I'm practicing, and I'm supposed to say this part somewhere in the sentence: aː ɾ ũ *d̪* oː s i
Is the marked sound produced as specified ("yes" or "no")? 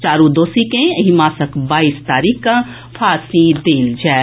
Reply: yes